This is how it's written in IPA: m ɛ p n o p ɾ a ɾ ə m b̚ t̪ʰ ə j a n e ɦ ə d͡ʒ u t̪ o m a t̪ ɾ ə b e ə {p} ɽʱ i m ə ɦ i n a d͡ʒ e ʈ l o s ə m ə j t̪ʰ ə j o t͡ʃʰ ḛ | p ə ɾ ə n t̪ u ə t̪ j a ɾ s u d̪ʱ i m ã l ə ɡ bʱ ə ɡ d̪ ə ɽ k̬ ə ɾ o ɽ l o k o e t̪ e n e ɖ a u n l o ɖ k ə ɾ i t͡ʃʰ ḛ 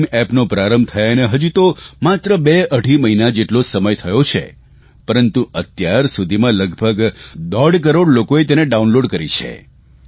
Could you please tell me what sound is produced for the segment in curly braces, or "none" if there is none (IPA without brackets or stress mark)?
none